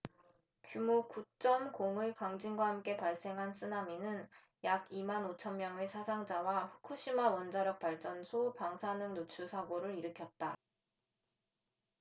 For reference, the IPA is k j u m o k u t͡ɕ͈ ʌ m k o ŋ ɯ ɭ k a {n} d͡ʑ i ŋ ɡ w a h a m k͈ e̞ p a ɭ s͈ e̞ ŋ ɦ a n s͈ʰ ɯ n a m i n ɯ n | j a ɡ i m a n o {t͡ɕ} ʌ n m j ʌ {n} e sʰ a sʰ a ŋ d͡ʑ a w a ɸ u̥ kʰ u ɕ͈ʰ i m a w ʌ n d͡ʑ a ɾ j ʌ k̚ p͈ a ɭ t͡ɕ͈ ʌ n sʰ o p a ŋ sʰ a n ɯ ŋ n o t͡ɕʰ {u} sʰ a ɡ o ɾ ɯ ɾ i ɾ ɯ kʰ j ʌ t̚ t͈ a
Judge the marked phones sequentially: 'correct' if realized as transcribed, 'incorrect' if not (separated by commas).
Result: incorrect, incorrect, incorrect, correct